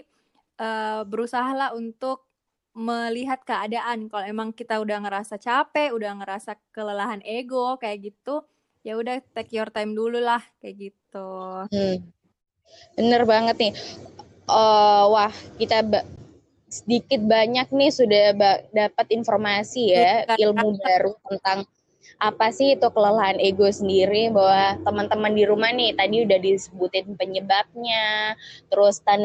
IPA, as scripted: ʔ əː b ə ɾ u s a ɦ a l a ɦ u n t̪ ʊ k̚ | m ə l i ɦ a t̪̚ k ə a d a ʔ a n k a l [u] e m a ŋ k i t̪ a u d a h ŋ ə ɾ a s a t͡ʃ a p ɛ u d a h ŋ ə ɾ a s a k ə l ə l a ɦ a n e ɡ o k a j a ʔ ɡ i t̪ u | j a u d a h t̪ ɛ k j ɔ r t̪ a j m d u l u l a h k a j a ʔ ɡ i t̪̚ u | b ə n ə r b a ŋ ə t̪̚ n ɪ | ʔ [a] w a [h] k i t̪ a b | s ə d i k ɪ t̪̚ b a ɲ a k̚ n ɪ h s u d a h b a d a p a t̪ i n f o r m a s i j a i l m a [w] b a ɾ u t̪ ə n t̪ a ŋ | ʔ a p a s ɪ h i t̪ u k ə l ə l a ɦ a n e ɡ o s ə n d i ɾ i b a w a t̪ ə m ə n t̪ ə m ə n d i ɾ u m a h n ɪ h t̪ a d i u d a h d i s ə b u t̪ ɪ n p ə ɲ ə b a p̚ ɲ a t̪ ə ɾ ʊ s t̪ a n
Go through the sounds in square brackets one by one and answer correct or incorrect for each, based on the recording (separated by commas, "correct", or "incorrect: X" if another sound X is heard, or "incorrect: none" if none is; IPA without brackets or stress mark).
incorrect: o, incorrect: ə, correct, incorrect: u